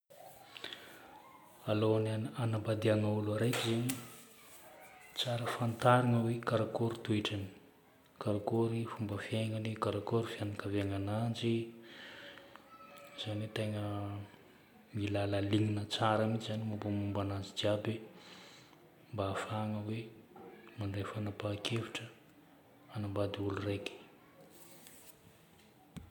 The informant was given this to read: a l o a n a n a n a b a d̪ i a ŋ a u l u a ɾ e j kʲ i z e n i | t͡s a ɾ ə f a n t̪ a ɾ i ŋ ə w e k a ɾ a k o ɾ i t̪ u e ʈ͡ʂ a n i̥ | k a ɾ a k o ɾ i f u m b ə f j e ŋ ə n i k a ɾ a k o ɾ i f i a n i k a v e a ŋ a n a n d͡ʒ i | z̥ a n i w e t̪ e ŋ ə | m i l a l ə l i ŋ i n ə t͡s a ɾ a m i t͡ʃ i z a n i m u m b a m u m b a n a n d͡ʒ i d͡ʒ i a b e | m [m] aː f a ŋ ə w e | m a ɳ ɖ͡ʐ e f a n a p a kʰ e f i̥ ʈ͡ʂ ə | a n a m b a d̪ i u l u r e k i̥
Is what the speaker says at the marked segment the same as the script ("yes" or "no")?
no